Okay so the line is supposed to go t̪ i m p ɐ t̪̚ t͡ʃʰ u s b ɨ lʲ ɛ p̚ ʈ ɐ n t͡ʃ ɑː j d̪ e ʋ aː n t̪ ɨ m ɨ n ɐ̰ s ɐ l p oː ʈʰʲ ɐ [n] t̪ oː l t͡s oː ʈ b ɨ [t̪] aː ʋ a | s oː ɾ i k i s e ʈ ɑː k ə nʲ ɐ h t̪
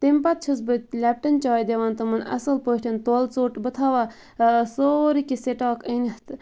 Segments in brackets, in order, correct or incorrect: correct, incorrect

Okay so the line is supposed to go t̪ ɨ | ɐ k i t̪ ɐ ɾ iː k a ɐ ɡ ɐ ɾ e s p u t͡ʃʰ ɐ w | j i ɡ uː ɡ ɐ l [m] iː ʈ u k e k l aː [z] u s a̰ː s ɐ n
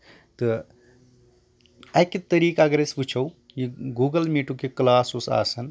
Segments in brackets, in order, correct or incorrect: correct, incorrect

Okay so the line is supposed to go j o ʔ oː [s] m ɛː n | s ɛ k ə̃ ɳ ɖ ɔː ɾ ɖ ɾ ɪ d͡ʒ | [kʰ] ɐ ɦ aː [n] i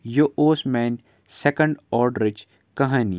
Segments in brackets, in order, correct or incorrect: correct, incorrect, correct

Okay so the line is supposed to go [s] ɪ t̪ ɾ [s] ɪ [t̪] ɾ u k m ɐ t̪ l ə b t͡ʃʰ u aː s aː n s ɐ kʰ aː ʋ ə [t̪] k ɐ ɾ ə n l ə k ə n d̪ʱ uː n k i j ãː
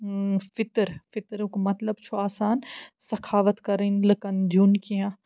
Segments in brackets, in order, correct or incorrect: incorrect, incorrect, correct, correct

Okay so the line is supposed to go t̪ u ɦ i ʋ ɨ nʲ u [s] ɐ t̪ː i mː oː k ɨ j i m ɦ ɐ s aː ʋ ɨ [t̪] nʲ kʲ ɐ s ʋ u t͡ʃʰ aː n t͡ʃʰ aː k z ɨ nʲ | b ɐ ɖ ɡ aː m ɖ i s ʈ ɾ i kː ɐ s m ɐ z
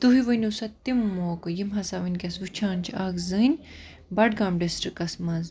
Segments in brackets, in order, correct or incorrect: correct, incorrect

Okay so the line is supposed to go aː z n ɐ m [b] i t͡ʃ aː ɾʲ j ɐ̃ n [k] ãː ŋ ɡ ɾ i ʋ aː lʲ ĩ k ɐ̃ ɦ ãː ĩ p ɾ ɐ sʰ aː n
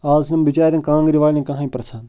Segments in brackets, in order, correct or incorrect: correct, correct

